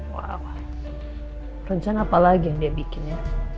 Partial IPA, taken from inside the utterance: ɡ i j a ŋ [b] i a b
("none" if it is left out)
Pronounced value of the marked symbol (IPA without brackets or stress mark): d